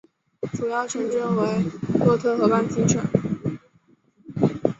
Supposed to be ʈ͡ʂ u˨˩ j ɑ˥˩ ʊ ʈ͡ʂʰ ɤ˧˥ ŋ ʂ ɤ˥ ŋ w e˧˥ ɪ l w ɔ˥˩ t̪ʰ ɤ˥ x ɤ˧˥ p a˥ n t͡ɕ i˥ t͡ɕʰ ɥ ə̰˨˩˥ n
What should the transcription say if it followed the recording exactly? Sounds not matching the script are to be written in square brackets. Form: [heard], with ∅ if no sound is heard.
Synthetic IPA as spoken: ʈ͡ʂ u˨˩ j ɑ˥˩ ʊ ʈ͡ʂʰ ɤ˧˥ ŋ [ʈ͡ʂ] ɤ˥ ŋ w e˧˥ ɪ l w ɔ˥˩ t̪ʰ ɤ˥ x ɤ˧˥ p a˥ n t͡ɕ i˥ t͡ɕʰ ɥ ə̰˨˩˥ n